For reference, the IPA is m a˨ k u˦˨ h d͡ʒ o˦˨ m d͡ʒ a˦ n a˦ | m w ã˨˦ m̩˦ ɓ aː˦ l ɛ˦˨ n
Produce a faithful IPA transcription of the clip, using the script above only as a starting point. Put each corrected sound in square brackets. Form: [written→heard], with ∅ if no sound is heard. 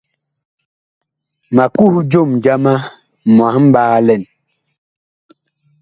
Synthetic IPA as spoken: m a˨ k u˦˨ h d͡ʒ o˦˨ m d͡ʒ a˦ [n→m] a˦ | m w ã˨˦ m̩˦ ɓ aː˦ l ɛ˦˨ n